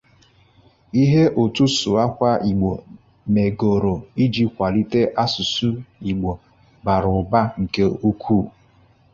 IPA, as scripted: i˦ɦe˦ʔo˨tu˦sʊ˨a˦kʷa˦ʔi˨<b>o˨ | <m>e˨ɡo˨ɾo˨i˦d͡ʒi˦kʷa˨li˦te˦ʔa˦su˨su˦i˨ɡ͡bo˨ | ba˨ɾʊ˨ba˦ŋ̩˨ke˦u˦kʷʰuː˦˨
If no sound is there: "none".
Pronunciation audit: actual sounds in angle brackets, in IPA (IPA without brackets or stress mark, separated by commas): ɡ͡b, m